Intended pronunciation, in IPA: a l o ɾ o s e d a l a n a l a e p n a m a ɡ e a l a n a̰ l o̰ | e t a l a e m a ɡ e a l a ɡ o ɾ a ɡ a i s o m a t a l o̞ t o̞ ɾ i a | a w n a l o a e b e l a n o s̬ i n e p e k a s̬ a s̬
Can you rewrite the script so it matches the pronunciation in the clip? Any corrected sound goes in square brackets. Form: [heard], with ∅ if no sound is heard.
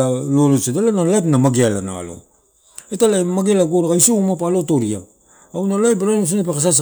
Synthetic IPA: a l o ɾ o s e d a l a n a l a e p n a m a ɡ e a l a n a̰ l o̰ | e t a l a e m a ɡ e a l a ɡ o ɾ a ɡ a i s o m a [p] a l o̞ t o̞ ɾ i a | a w n a l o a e b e [ɾ] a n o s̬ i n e p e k a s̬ a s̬